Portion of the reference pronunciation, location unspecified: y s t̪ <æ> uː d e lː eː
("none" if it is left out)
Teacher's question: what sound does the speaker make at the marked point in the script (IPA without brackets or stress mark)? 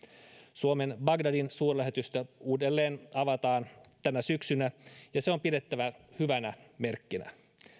æ